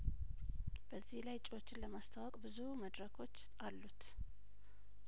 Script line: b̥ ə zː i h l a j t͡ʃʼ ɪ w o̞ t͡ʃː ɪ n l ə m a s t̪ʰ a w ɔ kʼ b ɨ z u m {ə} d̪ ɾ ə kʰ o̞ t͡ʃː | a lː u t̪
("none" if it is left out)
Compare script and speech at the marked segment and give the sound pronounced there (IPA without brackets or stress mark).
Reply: ə